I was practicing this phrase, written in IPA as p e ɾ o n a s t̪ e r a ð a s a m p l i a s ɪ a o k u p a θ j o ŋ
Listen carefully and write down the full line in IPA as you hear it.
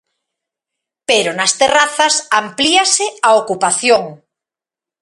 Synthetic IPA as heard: p e ɾ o n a s t̪ e r a θ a s a m p l i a s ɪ a o k u p a θ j o ŋ